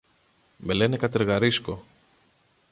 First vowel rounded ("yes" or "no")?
no